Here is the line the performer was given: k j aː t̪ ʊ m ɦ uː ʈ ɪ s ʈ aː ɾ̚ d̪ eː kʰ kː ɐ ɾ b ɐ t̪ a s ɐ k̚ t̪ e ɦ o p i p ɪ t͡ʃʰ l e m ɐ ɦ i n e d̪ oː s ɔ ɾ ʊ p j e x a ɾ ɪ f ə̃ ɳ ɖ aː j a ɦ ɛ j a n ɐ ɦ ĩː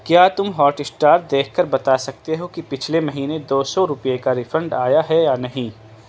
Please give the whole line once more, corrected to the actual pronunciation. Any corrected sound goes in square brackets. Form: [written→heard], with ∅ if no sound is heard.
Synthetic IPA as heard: k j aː t̪ ʊ m ɦ [uː→ɔː] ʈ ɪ s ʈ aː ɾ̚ d̪ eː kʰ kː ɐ ɾ b ɐ t̪ a s ɐ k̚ t̪ e ɦ o [p→k] i p ɪ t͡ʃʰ l e m ɐ ɦ [i→iː] n e d̪ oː s ɔ ɾ ʊ p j e [x→k] a ɾ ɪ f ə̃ ɳ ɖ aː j a ɦ ɛ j a n ɐ ɦ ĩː